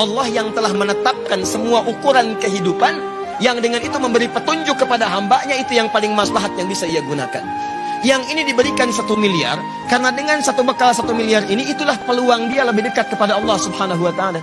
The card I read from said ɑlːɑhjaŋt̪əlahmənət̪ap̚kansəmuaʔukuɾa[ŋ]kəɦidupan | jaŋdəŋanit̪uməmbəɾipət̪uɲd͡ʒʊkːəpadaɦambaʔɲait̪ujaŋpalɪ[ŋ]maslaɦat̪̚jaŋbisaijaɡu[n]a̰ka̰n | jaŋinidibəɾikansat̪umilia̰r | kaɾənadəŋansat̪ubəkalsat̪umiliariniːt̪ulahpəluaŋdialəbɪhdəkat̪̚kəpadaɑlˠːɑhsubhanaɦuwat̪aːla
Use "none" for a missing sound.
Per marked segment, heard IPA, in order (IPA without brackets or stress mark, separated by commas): n, ŋ, n